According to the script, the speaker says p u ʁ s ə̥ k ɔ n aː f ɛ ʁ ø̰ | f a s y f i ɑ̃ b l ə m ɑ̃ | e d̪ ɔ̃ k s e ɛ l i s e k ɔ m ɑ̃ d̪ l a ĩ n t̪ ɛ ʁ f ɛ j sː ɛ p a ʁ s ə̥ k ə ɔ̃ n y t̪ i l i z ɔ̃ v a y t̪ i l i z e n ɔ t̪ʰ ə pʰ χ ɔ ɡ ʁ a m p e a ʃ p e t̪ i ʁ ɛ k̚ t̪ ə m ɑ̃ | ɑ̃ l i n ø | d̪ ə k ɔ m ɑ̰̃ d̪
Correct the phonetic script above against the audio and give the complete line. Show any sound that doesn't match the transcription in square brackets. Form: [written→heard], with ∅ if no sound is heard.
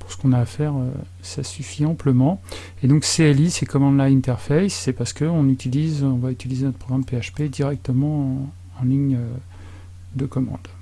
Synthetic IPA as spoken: p u ʁ s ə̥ k [ɔ→ɔ̃] n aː f ɛ ʁ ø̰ | [f→s] a s y f i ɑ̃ [b→p] l ə m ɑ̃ | e d̪ ɔ̃ k s e ɛ l i s e k ɔ m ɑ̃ d̪ l a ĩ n t̪ ɛ ʁ f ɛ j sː ɛ p a ʁ s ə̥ k ə ɔ̃ n y t̪ i l i z ɔ̃ v a y t̪ i l i z e n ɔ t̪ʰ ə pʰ χ ɔ ɡ ʁ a m p e a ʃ p e [t̪→d̪] i ʁ ɛ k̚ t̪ ə m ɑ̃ | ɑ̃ l i [n→ɲ] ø | d̪ ə k ɔ m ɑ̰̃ d̪